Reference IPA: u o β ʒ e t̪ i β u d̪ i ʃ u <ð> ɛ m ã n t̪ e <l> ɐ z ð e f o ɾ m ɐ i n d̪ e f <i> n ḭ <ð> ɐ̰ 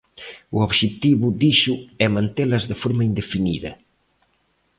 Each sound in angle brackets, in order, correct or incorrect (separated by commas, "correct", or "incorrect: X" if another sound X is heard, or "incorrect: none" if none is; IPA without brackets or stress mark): incorrect: none, correct, correct, correct